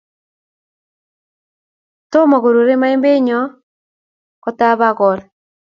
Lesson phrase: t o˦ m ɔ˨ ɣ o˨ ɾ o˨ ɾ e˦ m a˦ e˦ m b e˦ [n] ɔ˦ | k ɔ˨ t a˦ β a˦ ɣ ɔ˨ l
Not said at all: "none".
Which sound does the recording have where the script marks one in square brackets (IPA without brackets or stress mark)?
ɲ